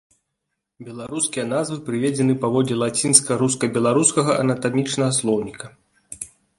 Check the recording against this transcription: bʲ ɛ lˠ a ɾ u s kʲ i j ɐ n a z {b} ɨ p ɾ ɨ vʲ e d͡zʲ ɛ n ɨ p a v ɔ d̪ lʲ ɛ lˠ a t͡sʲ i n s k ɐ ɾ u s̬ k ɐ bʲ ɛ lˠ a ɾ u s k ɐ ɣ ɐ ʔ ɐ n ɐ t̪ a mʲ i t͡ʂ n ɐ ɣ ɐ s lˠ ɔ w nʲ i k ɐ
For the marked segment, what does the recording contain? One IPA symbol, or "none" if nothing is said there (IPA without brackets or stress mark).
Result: v